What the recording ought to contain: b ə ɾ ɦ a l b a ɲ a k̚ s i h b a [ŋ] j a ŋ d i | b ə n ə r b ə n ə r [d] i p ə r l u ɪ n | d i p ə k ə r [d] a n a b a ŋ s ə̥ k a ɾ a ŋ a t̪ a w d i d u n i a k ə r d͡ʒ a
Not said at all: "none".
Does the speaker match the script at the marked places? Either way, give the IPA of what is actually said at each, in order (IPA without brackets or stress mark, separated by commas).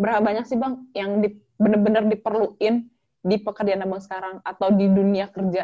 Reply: ŋ, d, d͡ʒ